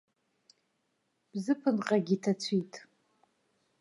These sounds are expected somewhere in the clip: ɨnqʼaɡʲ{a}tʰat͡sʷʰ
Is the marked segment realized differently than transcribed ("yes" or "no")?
yes